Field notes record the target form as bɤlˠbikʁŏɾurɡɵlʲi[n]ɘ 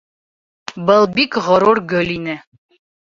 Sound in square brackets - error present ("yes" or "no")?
no